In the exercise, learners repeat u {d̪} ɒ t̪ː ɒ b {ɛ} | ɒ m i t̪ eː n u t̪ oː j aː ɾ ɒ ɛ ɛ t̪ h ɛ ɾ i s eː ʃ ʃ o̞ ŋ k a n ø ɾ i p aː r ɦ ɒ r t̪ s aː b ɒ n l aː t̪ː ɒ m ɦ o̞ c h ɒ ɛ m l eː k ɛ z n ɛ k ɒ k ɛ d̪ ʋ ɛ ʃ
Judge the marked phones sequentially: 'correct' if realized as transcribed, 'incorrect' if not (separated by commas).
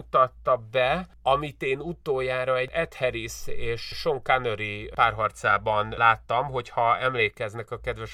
incorrect, correct